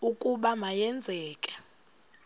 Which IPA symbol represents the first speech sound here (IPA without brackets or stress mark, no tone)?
u